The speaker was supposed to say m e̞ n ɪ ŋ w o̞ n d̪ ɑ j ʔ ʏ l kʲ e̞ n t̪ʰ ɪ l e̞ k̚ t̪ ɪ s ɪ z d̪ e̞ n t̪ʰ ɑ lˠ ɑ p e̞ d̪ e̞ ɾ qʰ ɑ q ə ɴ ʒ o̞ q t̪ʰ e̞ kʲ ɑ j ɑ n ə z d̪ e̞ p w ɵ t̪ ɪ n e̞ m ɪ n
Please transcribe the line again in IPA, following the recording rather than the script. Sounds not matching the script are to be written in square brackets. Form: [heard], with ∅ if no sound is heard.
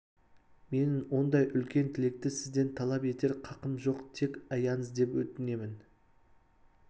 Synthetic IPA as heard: m e̞ n ɪ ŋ w o̞ n d̪ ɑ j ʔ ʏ l kʲ e̞ n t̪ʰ ɪ l e̞ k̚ t̪ ɪ s ɪ z d̪ e̞ n t̪ʰ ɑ lˠ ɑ p e̞ [t̪] e̞ ɾ qʰ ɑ q ə [m] ʒ o̞ q t̪ʰ e̞ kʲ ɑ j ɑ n ə z d̪ e̞ p w ɵ t̪ ɪ n e̞ m ɪ n